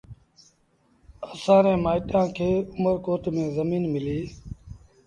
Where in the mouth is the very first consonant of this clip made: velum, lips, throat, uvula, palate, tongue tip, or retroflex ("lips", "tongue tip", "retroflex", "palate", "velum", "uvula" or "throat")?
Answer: tongue tip